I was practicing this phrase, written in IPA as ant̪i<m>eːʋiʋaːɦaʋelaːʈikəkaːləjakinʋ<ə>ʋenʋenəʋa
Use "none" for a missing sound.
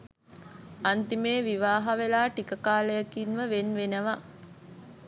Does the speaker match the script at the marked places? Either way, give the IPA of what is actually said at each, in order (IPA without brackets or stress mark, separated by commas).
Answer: m, ə